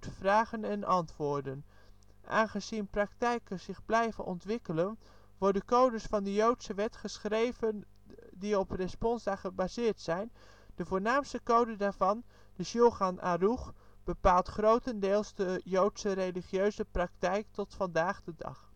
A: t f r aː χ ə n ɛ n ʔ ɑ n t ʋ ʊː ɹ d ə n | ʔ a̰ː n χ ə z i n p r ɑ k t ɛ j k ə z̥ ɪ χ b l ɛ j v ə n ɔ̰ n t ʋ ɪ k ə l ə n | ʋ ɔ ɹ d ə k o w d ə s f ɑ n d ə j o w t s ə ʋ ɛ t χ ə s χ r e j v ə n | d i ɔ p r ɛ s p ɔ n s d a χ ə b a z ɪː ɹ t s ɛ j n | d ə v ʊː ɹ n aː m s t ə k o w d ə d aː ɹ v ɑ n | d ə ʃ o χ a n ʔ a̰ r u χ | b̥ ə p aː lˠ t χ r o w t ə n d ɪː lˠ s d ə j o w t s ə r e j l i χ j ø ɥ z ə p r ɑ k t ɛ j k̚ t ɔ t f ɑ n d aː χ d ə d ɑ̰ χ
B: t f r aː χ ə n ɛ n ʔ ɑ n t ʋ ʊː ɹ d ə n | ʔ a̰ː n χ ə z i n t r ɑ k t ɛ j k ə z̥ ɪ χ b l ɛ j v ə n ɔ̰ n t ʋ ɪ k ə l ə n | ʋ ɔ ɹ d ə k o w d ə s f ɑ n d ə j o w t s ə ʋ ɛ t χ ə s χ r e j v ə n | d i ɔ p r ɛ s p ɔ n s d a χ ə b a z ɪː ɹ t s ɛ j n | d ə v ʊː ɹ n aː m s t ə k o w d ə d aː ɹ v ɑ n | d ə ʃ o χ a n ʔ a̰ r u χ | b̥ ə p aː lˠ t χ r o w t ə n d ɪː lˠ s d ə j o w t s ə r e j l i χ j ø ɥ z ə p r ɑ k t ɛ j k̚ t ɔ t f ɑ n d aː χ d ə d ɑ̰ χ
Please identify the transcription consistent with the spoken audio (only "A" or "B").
A